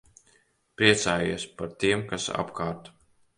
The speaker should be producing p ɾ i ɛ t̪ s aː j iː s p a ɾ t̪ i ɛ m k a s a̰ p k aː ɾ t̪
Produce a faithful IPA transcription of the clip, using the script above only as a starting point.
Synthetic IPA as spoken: p ɾ i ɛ t̪ s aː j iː s p a ɾ t̪ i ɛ m k a s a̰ p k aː ɾ t̪